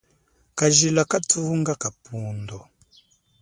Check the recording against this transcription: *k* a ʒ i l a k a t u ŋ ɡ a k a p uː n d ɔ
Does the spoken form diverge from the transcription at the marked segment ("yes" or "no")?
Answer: no